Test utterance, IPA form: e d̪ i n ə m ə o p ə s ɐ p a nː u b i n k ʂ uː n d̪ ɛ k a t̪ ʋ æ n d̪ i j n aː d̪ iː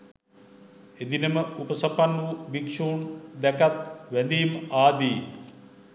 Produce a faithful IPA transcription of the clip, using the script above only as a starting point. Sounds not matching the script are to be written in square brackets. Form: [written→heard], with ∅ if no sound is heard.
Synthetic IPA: e d̪ i n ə m ə [o→u] p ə s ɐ p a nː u b i [n→∅] k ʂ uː n d̪ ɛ k a t̪ ʋ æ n d̪ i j [n→m] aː d̪ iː